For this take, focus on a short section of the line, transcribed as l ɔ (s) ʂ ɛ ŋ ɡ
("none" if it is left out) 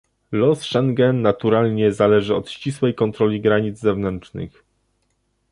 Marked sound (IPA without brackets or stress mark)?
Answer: s